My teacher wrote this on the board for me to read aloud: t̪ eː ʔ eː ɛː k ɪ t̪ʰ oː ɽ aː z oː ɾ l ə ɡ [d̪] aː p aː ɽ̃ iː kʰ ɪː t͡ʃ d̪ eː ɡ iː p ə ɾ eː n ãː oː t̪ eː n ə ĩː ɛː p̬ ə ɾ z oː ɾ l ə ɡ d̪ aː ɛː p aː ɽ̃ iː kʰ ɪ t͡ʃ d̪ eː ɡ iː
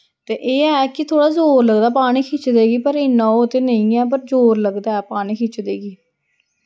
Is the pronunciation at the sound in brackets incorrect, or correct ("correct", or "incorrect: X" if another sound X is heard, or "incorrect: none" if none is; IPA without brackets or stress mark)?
correct